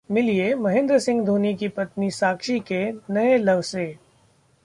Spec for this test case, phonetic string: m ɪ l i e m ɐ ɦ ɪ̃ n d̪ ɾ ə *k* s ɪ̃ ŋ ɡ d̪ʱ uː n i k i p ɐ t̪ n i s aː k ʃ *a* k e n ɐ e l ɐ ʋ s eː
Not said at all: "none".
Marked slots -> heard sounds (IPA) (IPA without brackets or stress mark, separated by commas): none, i